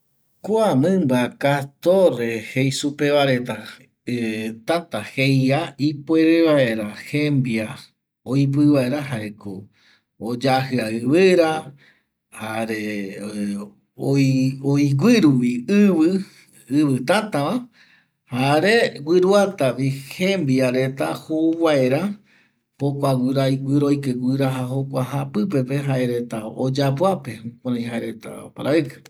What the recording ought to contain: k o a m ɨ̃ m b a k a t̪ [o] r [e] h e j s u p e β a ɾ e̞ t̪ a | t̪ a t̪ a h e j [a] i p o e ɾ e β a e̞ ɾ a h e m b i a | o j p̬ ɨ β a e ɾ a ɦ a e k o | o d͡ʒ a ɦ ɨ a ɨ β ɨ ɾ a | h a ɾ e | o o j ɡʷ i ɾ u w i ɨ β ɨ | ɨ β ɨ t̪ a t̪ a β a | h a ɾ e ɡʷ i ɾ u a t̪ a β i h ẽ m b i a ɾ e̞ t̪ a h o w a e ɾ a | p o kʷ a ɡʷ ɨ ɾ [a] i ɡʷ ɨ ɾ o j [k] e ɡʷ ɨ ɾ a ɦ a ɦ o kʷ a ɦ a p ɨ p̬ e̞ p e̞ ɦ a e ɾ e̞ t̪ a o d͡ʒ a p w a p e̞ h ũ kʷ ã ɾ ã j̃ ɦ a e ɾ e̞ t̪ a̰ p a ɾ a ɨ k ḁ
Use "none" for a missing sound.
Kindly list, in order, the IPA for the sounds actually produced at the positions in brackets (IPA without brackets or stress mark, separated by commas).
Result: o, e, a, a, k